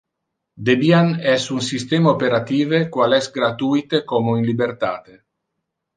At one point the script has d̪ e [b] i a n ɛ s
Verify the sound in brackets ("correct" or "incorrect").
correct